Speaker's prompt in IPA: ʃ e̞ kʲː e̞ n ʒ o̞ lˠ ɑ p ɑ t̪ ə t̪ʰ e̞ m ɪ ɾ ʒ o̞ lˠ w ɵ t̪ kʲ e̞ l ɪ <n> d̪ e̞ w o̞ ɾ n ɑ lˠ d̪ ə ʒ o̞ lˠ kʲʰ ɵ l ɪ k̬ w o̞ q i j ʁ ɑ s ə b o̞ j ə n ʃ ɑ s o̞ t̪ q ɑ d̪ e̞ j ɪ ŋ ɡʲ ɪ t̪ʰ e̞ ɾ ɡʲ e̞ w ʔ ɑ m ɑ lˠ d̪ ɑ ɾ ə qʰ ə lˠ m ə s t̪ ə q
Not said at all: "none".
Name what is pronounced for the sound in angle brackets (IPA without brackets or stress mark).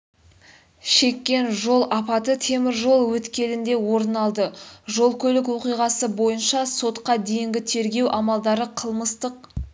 n